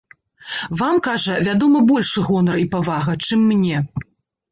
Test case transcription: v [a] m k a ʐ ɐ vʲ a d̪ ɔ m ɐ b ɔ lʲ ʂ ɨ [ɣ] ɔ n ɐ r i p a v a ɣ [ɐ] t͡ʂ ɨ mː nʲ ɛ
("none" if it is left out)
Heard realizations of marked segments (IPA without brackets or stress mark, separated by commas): a, ɣ, ɐ